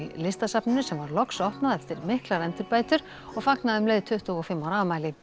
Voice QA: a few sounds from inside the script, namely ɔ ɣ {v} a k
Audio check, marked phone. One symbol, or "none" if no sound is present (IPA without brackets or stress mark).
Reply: f